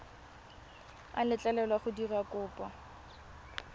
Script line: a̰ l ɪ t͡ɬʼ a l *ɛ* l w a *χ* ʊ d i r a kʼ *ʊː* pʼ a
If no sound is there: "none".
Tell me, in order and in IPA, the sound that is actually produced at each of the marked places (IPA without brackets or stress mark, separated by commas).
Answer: ɛ, χ, ʊː